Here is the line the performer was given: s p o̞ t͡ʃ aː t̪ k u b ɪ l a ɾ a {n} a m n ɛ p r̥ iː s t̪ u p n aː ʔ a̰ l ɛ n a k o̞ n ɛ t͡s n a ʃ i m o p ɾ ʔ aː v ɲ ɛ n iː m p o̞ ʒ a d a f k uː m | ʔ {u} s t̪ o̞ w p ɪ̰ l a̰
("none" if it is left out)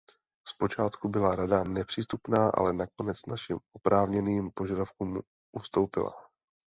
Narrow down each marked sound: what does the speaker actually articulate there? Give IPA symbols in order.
d, u

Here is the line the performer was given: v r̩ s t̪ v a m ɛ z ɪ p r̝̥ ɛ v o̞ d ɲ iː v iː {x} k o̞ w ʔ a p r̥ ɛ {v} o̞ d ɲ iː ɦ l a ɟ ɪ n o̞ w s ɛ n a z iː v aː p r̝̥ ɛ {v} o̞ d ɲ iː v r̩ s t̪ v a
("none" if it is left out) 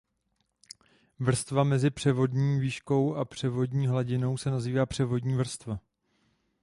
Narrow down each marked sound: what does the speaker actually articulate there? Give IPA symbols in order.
ʃ, v, v

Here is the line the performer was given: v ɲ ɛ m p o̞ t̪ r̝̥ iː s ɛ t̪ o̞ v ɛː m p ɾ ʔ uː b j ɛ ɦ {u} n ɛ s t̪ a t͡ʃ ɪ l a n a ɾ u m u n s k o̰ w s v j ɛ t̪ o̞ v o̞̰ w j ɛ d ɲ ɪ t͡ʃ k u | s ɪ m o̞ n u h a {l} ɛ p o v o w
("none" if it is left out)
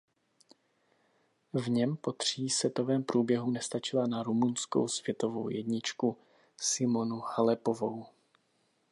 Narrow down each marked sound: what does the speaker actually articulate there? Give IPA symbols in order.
u, l

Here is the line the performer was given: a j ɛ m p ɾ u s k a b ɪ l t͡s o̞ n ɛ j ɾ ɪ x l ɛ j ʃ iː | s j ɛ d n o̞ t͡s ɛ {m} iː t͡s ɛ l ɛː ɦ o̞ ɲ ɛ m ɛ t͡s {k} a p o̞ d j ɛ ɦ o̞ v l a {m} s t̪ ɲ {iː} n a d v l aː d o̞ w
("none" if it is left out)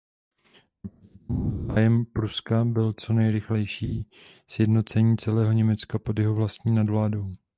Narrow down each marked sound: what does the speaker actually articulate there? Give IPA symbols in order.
ɲ, k, none, iː

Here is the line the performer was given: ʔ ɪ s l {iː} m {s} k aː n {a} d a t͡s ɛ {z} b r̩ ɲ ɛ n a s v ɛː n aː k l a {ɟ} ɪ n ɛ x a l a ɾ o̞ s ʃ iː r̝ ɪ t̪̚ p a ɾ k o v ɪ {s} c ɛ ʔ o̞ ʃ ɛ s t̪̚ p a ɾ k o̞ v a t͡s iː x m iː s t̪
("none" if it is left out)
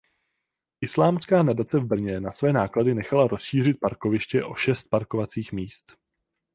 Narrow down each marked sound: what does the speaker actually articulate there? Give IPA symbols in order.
aː, s, a, v, d, ʃ

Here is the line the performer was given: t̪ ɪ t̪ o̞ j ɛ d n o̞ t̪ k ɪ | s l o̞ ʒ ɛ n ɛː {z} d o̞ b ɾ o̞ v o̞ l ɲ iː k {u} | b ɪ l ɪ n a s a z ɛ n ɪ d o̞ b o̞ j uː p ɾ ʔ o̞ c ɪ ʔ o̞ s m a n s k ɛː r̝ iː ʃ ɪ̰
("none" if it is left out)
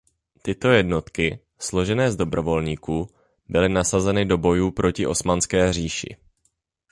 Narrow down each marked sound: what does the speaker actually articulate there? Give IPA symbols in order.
z, uː

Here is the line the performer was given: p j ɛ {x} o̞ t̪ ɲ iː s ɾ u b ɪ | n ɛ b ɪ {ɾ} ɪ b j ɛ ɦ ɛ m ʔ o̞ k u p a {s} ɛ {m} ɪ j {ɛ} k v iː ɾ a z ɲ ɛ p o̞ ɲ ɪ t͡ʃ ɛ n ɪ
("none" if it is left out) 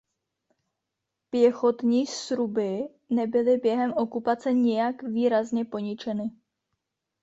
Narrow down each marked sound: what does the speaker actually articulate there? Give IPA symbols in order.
x, l, t͡s, ɲ, a

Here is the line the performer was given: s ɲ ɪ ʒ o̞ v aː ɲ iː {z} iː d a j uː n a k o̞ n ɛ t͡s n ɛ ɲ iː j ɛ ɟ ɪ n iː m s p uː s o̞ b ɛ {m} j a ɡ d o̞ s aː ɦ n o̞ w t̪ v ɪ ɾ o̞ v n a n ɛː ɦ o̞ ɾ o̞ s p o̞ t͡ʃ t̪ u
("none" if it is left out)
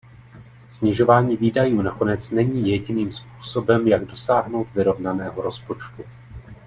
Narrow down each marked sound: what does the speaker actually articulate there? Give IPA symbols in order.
v, m

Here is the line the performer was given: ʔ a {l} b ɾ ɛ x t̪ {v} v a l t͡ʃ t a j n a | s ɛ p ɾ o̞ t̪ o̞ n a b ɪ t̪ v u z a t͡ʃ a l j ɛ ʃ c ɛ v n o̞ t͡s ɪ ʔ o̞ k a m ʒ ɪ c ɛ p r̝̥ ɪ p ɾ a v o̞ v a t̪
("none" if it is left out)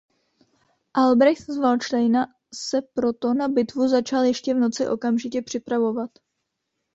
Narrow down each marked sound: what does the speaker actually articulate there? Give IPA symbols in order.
l, z

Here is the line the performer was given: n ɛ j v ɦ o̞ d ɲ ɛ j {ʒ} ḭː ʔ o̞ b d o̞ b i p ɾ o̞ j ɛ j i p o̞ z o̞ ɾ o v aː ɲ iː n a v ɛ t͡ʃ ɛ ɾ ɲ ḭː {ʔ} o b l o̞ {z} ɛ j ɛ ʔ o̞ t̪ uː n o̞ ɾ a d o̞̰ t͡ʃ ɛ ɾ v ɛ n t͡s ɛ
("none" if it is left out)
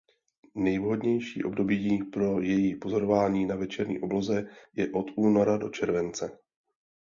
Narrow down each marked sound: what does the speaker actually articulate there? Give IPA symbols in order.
ʃ, ʔ, z

